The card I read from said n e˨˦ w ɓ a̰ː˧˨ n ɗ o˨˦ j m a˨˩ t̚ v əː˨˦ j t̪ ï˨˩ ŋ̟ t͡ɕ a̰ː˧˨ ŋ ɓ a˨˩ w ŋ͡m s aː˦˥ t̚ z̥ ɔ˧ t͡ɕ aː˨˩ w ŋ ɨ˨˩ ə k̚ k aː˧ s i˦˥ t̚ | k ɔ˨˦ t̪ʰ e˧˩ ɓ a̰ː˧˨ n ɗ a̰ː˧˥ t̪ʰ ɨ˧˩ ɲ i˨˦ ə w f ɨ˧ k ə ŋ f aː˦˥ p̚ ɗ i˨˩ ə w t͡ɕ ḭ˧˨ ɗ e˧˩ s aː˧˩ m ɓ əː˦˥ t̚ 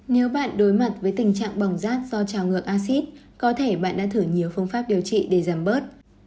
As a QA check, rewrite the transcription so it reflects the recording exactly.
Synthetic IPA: n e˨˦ w ɓ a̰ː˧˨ n ɗ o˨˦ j m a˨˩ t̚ v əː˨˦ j t̪ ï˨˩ ŋ̟ t͡ɕ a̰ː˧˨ ŋ ɓ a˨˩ w ŋ͡m z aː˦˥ t̚ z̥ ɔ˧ t͡ɕ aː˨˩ w ŋ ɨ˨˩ ə k̚ ʔ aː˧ s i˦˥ t̚ | k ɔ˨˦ t̪ʰ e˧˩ ɓ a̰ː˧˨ n ɗ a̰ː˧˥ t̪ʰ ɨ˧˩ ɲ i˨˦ ə w f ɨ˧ ə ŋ f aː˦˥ p̚ ɗ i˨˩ ə w t͡ɕ ḭ˧˨ ɗ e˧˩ z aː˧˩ m ɓ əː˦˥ t̚